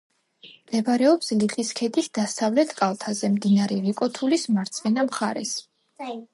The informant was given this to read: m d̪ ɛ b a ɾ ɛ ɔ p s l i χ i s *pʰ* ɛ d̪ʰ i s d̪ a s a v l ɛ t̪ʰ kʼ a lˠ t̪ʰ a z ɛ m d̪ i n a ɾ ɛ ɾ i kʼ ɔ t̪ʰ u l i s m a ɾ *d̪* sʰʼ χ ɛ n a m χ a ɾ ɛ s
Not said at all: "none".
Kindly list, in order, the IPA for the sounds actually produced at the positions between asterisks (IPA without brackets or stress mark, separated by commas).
kʰ, t̪